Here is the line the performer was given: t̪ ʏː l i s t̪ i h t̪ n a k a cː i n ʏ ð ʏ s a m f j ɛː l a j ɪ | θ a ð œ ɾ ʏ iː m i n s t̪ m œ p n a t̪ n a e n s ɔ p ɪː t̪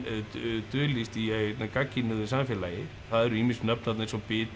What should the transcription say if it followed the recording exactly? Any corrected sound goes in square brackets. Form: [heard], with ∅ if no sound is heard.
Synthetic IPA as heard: t̪ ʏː l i s t̪ i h t̪ n a k a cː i n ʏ ð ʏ s a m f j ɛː l a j ɪ | θ a ð [ɛ] ɾ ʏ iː m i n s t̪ [n] œ p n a t̪ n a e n s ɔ p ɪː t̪